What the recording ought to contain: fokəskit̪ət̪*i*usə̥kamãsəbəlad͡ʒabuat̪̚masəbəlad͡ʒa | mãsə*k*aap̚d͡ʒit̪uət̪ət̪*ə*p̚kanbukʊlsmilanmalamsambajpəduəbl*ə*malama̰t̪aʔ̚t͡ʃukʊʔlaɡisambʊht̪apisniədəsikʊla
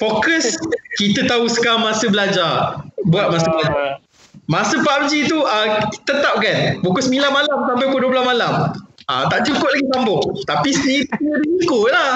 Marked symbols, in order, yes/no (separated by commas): no, no, no, no